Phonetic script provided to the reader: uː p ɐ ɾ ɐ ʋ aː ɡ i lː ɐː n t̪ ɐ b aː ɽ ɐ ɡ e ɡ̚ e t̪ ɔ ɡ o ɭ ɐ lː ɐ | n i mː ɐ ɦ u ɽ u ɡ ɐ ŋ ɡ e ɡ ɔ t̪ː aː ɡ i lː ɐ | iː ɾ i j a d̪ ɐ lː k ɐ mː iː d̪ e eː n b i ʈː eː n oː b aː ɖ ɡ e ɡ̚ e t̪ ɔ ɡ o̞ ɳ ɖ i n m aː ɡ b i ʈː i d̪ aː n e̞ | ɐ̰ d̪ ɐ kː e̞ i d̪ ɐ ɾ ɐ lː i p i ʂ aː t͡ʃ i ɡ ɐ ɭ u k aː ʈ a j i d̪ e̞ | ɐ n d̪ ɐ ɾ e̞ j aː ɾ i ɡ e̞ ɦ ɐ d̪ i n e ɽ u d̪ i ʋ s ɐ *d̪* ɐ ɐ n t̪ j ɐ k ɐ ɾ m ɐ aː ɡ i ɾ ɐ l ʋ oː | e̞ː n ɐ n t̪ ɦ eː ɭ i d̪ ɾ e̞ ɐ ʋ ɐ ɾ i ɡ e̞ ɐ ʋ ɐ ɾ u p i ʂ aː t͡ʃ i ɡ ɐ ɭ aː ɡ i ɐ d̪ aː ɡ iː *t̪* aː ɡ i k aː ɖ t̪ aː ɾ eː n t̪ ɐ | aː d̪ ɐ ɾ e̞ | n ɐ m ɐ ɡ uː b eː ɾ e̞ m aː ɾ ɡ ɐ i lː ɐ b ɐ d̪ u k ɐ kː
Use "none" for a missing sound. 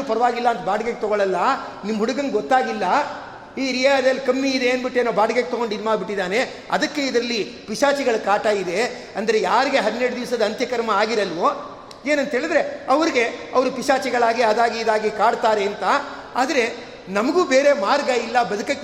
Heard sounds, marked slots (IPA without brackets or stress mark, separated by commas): d̪, d̪